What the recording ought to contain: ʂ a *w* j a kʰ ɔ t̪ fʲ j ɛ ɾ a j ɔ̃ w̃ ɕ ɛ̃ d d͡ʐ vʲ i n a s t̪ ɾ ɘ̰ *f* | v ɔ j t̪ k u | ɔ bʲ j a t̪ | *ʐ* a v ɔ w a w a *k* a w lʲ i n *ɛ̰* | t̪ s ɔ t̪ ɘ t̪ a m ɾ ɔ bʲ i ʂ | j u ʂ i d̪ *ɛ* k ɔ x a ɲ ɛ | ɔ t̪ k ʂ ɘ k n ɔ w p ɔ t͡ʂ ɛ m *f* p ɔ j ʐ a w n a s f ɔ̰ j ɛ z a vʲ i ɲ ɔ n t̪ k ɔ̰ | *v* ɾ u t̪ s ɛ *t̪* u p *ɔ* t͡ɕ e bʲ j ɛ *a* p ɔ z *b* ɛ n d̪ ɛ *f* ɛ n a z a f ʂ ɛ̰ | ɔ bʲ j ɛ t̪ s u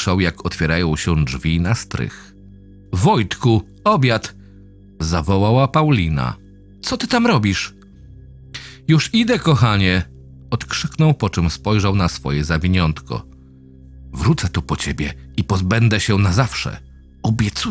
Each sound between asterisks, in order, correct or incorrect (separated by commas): correct, incorrect, incorrect, incorrect, incorrect, correct, incorrect, correct, correct, correct, incorrect, correct, incorrect